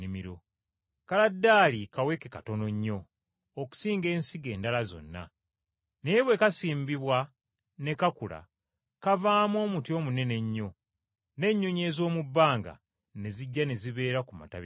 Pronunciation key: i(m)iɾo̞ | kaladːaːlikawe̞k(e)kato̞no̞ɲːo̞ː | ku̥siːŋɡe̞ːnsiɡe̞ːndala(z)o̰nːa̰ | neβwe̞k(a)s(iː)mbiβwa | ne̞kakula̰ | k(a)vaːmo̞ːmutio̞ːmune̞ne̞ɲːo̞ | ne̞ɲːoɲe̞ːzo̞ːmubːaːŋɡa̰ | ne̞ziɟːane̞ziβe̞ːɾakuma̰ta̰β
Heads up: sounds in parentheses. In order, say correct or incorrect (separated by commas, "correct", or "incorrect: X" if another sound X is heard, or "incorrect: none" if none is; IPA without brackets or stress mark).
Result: correct, correct, correct, correct, correct, correct